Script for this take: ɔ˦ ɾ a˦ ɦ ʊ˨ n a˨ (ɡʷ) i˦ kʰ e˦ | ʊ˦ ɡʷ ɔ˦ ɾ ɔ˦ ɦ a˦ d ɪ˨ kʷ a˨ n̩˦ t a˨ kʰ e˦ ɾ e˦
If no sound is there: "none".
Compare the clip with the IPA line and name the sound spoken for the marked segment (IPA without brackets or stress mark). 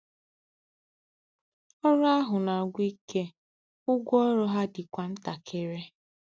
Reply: ɡʷ